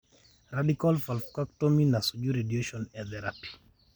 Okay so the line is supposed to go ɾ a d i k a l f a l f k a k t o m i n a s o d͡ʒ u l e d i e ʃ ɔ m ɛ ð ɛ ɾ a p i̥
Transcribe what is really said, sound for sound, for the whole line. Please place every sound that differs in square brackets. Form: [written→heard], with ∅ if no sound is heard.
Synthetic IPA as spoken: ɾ a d i k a l f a l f k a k t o m i n a s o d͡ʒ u [l→ɾ] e d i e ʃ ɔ [m→n] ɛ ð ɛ ɾ a p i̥